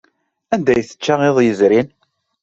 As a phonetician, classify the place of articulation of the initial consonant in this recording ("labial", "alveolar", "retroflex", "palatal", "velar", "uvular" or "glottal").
alveolar